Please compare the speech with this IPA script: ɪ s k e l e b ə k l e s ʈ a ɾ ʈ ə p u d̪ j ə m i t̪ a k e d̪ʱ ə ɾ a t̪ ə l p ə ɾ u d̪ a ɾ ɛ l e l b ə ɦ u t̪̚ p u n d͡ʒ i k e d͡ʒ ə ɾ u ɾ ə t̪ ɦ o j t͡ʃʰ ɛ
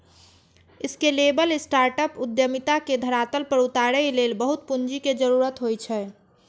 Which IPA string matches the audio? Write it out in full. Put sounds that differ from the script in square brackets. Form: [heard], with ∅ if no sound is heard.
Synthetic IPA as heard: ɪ s k e l e b ə [∅] l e s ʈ a ɾ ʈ ə p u d̪ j ə m i t̪ a k e d̪ʱ ə ɾ a t̪ ə l p ə ɾ u [t̪] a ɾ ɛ l e l b ə ɦ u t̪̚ p u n d͡ʒ i k e d͡ʒ ə ɾ u ɾ ə t̪ ɦ o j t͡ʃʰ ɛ